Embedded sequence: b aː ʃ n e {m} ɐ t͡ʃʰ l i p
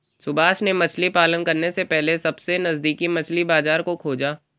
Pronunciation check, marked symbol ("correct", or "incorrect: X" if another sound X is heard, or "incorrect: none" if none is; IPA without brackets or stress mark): correct